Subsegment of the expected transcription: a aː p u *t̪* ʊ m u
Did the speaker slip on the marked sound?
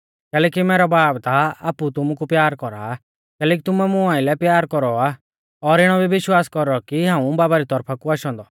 no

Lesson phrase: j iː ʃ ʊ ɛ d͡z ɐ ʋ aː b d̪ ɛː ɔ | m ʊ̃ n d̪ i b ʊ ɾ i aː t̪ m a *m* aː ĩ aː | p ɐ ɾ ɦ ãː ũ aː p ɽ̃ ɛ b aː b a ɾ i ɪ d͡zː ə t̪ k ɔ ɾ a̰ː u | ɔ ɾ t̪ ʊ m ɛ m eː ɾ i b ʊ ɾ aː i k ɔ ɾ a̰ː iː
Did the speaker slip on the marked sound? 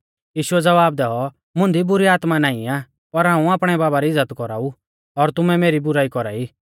yes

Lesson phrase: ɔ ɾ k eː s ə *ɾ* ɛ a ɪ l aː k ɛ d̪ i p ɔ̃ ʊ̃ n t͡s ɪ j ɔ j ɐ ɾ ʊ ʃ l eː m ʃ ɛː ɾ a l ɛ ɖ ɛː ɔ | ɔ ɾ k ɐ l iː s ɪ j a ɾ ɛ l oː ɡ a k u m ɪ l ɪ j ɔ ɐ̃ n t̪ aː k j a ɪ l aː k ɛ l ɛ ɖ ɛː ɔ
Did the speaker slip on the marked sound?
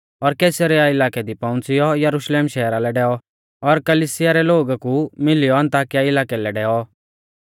no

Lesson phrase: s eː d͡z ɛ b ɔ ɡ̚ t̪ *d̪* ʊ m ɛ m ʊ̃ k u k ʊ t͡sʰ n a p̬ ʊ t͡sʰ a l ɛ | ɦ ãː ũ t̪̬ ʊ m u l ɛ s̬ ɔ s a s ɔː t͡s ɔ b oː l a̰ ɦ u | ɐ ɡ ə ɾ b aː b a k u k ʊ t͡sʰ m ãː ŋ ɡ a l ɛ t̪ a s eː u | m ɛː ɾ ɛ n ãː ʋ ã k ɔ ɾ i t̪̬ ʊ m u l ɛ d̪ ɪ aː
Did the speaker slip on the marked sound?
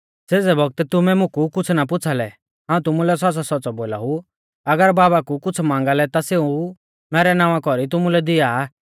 yes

